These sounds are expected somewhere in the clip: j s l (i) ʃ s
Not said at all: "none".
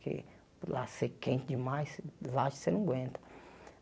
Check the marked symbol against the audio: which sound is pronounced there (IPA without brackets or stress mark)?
a